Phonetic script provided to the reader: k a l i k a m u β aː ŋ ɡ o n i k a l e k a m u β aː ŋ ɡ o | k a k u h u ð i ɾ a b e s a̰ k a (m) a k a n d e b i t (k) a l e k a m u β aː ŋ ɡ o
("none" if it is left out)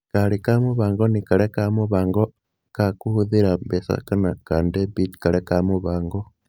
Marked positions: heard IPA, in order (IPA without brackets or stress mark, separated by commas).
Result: n, k